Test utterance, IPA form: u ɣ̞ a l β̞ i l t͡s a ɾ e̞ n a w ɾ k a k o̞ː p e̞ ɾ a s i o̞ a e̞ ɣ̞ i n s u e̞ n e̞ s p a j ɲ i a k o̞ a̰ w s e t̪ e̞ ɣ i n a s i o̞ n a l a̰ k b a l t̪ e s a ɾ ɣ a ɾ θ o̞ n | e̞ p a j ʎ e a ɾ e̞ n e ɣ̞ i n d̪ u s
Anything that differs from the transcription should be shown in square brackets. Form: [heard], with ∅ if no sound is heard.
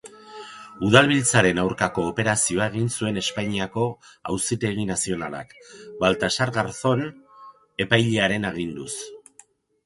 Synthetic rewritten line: u [ð̞] a l β̞ i l t͡s a ɾ e̞ n a w ɾ k a k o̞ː p e̞ ɾ a s i o̞ a e̞ ɣ̞ i n s u e̞ n e̞ s p a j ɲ i a k o̞ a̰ w s [i] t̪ e̞ ɣ i n a s i o̞ n a l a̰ k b a l t̪ [a] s a ɾ ɣ a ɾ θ o̞ n | e̞ p a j ʎ e a ɾ e̞ n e ɣ̞ i n d̪ u s